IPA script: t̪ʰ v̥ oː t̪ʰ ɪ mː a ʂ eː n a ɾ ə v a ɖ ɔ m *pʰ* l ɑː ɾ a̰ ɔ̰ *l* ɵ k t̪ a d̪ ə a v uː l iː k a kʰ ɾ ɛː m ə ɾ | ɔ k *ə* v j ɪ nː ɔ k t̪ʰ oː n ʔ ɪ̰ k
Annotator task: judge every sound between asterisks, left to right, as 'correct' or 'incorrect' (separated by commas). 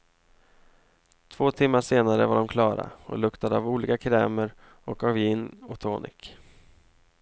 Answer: incorrect, correct, incorrect